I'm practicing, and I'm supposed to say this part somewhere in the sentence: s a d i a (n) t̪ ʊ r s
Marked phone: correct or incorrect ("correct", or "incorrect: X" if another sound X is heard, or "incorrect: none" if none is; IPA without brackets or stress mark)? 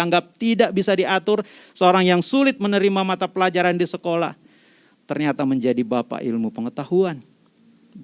incorrect: none